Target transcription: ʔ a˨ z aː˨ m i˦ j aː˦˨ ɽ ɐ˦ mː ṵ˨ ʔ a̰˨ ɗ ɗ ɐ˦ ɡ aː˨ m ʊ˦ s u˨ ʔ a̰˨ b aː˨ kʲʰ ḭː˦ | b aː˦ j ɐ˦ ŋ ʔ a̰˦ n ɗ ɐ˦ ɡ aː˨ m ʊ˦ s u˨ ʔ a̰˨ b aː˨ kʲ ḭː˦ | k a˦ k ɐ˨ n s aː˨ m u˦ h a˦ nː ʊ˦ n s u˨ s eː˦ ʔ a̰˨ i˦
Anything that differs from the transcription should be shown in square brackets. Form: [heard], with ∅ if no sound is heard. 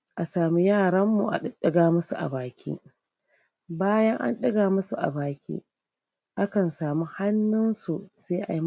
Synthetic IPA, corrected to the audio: ʔ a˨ [s] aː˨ m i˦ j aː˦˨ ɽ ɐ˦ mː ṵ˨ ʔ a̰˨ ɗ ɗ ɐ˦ ɡ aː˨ m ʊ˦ s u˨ ʔ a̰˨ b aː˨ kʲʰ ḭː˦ | b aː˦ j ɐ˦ ŋ ʔ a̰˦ n ɗ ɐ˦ ɡ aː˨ m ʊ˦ s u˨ ʔ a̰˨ b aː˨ kʲ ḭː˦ | [ʔ] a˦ k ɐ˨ n s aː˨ m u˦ h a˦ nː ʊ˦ n s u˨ s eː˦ ʔ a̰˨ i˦

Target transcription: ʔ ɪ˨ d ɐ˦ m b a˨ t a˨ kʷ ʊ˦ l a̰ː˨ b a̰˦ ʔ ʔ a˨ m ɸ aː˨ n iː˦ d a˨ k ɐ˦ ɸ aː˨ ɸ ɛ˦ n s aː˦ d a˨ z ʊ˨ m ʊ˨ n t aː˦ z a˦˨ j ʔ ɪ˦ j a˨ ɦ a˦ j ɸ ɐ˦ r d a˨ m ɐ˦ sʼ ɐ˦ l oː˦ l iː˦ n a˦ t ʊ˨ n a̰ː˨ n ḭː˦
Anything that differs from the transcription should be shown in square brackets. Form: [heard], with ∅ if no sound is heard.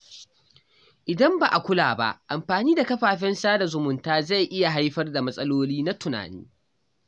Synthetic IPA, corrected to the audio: ʔ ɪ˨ d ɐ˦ m b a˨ [ʔ] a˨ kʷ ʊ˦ l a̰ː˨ b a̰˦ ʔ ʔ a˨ m ɸ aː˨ n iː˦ d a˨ k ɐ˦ ɸ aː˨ ɸ ɛ˦ n s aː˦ d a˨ z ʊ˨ m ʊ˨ n t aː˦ z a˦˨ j ʔ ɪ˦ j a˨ ɦ a˦ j ɸ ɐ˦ r d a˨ m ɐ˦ sʼ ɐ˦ l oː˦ l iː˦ n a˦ t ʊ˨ n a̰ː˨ n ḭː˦

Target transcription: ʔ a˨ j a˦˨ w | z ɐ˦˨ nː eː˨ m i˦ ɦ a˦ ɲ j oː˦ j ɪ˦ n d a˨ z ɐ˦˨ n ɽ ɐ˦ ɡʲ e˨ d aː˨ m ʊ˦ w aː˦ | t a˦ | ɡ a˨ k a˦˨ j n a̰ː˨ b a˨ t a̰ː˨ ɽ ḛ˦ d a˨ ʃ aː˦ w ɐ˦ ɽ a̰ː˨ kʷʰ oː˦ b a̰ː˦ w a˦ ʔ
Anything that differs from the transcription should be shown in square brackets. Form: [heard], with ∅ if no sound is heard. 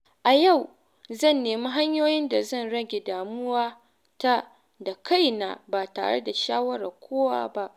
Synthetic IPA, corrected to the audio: ʔ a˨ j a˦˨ w | z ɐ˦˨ nː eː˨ m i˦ ɦ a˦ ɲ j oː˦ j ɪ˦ n d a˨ z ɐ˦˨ n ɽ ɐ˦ ɡʲ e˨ d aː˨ m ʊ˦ w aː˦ | t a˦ | [d] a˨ k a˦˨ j n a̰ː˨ b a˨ t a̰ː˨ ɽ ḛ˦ d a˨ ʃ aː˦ w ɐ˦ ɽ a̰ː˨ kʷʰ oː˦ [w] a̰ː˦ [b] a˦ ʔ

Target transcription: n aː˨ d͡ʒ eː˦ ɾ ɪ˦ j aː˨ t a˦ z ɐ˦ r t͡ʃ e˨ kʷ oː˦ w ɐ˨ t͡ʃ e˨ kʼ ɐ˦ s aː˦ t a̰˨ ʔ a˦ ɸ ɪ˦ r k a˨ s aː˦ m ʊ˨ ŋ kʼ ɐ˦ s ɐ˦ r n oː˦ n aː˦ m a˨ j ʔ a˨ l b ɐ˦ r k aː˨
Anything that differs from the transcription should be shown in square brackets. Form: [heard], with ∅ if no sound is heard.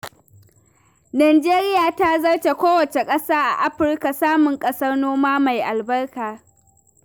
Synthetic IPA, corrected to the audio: n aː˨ d͡ʒ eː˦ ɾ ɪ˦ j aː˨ t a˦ z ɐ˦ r t͡ʃ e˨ kʷ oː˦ w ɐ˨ t͡ʃ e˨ kʼ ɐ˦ s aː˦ [ʔ] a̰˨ ʔ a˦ ɸ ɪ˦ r k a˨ s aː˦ m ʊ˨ ŋ kʼ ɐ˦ s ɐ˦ r n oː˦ [m] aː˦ m a˨ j ʔ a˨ l b ɐ˦ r k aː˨

